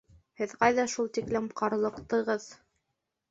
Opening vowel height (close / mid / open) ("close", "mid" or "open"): mid